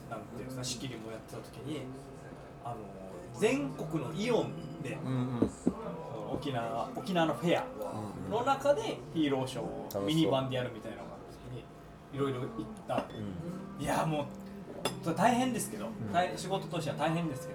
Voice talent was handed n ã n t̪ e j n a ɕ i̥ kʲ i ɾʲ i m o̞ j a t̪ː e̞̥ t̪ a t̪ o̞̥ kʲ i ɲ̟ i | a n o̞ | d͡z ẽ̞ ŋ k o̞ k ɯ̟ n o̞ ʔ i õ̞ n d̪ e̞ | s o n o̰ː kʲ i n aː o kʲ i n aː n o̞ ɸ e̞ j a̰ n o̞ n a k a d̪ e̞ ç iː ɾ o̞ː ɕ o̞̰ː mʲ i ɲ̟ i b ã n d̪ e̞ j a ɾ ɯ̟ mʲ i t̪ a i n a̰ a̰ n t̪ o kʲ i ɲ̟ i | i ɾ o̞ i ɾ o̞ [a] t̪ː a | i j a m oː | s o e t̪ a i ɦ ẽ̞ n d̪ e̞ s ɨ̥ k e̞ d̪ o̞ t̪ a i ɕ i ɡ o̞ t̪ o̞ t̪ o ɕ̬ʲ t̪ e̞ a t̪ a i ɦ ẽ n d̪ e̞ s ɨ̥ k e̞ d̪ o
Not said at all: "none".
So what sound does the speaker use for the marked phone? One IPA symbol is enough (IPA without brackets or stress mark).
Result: i